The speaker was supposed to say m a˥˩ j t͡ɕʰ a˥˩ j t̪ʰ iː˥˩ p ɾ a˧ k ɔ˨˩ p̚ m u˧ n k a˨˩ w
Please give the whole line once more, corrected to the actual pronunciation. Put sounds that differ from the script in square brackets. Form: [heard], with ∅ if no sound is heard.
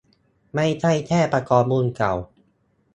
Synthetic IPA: m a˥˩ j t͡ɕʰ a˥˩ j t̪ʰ [ɛː˥˩] p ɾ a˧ k [ɔː˨˩] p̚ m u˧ n k a˨˩ w